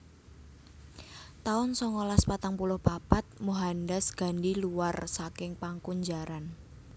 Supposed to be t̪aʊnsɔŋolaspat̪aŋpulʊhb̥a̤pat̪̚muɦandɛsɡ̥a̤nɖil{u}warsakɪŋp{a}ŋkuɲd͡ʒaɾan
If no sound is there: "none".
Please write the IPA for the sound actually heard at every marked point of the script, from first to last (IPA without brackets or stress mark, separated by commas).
u, a